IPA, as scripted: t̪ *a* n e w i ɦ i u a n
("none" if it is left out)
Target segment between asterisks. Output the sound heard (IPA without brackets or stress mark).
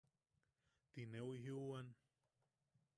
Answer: i